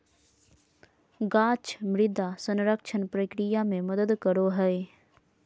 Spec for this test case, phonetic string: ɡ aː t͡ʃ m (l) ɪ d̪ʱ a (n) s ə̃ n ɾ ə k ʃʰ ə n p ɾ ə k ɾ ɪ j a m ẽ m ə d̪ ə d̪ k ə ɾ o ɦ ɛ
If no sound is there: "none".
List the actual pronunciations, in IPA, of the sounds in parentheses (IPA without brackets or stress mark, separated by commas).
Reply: ɾ, none